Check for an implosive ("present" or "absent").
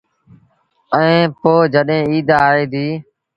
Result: present